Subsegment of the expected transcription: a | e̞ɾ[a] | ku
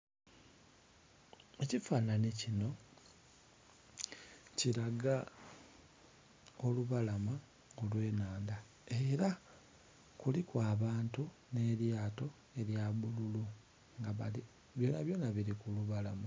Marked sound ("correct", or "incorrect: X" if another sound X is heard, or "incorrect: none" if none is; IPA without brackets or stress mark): correct